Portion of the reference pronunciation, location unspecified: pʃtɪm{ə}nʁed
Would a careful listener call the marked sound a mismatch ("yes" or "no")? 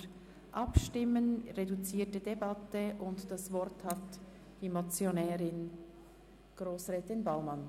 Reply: no